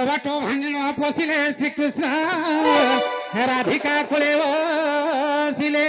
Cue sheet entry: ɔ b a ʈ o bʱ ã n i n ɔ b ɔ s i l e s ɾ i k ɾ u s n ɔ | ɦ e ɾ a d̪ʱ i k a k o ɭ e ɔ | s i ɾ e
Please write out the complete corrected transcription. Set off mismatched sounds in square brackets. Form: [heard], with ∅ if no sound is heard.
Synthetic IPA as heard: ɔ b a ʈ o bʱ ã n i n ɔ [p] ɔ s i l e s ɾ i k ɾ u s n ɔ | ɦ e ɾ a d̪ʱ i k a k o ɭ e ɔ | s i [l] e